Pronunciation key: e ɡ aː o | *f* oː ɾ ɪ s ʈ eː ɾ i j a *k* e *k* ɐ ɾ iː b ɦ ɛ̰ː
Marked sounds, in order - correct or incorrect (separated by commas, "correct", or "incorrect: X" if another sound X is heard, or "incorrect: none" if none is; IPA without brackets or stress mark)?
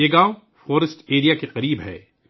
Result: correct, correct, incorrect: q